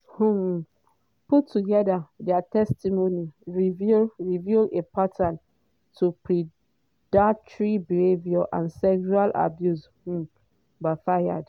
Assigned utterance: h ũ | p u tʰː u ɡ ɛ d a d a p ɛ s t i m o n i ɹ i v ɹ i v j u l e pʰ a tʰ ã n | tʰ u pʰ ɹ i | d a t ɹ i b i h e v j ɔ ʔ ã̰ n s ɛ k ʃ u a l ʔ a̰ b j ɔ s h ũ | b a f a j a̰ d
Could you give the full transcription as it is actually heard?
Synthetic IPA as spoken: h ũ | p u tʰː u ɡ ɛ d a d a t ɛ s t i m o n i ɹ i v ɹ i v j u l e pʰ a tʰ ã n | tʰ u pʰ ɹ i | d a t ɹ i b i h e v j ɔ ʔ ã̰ n s ɛ k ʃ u a l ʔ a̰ b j u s h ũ | b a f a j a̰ d